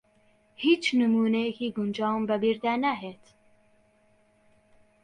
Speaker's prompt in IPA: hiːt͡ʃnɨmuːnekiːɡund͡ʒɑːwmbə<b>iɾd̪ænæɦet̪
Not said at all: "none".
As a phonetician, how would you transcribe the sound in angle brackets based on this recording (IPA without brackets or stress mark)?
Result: b